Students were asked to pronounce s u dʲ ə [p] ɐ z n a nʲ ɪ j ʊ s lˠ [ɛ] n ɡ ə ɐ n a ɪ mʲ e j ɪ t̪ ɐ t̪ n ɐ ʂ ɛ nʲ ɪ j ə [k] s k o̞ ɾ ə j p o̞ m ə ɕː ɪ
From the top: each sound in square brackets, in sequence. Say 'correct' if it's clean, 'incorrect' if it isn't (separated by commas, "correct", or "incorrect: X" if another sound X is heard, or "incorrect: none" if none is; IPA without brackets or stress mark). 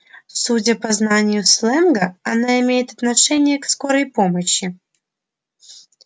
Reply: correct, correct, correct